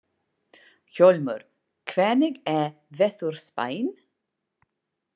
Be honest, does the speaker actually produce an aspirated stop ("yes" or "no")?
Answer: yes